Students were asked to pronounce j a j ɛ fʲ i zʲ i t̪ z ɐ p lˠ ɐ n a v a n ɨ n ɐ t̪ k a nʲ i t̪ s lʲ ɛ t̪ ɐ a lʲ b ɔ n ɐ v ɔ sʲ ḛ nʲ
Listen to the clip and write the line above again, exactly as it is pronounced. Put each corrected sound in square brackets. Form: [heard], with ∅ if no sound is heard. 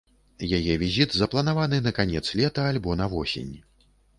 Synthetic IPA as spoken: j a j ɛ [vʲ] i zʲ i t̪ z ɐ p lˠ ɐ n a v a n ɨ n ɐ [∅] k a nʲ [ɛ] t̪ s lʲ ɛ t̪ ɐ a lʲ b ɔ n ɐ v ɔ sʲ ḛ nʲ